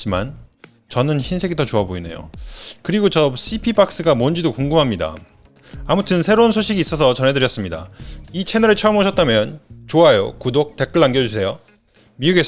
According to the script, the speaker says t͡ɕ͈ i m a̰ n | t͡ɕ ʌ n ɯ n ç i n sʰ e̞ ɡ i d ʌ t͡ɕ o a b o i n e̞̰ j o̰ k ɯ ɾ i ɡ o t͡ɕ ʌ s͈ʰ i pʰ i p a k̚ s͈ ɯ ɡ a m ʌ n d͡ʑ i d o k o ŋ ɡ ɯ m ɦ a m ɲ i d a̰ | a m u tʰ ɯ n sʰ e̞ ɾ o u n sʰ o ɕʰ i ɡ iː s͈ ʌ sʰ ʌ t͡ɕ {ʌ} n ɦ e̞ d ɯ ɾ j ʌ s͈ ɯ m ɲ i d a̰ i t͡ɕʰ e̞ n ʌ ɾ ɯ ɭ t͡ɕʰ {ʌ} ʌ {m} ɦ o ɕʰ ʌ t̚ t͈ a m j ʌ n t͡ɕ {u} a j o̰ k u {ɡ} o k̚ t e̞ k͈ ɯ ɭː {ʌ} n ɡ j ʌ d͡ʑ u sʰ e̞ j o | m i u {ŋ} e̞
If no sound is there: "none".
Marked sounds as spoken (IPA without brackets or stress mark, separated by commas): ʌ, ʌ, m, o, d, a, ɡ